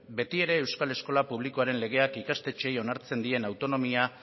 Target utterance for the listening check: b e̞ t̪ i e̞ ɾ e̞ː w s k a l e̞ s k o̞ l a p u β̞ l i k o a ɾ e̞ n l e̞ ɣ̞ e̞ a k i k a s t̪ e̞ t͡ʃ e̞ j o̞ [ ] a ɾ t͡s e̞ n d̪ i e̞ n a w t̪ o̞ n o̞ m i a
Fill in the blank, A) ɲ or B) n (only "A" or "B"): B